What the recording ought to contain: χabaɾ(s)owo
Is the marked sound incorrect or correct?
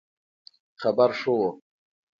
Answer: incorrect